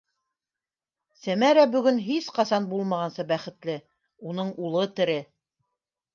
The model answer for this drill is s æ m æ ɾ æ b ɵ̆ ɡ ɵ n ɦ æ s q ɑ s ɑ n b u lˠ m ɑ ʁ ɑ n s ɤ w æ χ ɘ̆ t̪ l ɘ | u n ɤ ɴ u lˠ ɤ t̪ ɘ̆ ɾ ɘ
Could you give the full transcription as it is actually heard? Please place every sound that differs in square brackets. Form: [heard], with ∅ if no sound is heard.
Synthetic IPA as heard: s æ m æ ɾ æ b ɵ̆ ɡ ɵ n ɦ [i] s q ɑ s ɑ n b u lˠ m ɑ ʁ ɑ n s ɤ [b] æ χ ɘ̆ t̪ l ɘ | u n ɤ ɴ u lˠ ɤ t̪ ɘ̆ ɾ ɘ